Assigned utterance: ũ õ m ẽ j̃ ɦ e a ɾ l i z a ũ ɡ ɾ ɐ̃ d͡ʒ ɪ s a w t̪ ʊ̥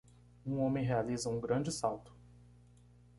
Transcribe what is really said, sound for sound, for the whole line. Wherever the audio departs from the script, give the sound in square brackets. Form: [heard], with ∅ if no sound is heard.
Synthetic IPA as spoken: ũ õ m ẽ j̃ ɦ e a [∅] l i z [ɐ] ũ ɡ ɾ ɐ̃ d͡ʒ ɪ s a w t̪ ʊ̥